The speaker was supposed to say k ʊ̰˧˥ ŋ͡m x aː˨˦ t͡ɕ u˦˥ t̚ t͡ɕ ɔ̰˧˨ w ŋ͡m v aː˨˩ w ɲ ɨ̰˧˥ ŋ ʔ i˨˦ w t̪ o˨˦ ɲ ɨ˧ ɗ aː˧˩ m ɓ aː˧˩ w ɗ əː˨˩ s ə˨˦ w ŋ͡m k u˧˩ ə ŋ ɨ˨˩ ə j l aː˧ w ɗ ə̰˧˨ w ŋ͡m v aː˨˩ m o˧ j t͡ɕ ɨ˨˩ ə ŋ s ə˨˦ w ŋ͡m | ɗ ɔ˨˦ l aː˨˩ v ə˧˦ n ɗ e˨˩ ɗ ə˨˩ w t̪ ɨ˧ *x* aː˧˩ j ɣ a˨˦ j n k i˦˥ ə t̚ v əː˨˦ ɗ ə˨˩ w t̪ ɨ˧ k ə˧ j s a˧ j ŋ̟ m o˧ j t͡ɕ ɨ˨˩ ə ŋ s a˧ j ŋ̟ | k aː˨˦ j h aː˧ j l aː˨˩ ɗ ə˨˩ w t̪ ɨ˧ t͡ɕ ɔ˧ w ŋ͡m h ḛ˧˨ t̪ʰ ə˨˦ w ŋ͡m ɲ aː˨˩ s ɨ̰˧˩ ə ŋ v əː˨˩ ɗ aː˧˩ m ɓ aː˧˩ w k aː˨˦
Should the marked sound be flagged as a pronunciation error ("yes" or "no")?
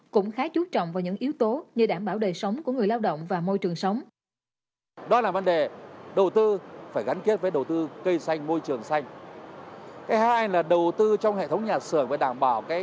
yes